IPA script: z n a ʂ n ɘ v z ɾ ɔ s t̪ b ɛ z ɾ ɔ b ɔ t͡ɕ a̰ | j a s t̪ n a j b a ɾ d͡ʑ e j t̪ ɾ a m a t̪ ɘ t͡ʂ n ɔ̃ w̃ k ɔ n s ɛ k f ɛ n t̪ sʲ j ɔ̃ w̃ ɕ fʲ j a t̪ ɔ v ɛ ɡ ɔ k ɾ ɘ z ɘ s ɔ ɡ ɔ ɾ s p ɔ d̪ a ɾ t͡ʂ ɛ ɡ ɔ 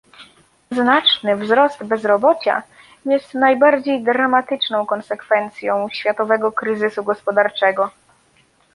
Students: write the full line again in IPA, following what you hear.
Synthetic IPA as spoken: z n a t͡ʂ n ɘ v z ɾ ɔ s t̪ b ɛ z ɾ ɔ b ɔ t͡ɕ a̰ | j ɛ s t̪ n a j b a ɾ d͡ʑ e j d̪ ɾ a m a t̪ ɘ t͡ʂ n ɔ̃ w̃ k ɔ n s ɛ k f ɛ n t̪ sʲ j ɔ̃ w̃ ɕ fʲ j a t̪ ɔ v ɛ ɡ ɔ k ɾ ɘ z ɘ s u ɡ ɔ s p ɔ d̪ a ɾ t͡ʂ ɛ ɡ ɔ